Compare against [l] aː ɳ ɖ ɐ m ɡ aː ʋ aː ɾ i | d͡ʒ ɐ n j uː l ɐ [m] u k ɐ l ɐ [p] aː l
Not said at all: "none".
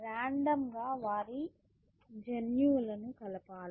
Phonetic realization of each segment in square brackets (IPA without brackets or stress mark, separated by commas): ɾ, n, p